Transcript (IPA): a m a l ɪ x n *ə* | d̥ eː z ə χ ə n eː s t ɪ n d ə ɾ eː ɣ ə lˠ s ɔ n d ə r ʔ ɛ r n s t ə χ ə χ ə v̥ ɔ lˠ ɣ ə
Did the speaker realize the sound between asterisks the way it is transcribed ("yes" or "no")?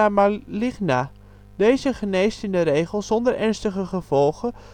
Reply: no